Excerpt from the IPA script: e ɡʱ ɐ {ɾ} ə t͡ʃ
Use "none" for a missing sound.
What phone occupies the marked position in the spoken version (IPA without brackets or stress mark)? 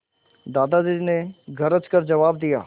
ɾ